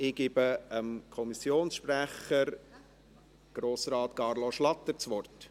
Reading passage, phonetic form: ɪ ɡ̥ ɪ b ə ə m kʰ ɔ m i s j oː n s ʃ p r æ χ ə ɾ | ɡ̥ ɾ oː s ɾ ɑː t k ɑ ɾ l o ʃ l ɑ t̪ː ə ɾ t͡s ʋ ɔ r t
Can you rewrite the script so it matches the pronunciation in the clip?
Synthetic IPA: ɪ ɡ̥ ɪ b ə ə m kʰ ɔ m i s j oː n s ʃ p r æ χ ə ɾ | ɡ̥ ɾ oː s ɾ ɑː t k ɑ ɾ l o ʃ l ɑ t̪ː ə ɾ t͡s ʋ ɔ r t